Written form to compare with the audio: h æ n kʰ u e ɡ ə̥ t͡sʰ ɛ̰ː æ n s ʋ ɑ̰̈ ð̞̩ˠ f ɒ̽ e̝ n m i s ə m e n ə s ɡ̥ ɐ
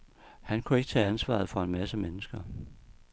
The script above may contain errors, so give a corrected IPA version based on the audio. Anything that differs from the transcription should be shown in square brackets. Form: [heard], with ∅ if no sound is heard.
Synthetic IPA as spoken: h æ n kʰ u e ɡ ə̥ t͡sʰ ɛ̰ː æ n s ʋ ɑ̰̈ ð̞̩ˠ f ɒ̽ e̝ n m [æ] s ə m e n ə s ɡ̥ ɐ